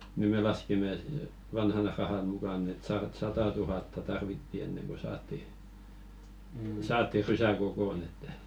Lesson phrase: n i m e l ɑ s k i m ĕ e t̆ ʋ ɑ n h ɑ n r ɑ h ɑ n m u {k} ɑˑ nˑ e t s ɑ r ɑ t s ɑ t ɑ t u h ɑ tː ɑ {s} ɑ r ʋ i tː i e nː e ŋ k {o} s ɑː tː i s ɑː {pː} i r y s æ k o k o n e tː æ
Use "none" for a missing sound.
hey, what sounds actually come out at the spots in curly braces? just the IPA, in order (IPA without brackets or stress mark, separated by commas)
k, t, o, tː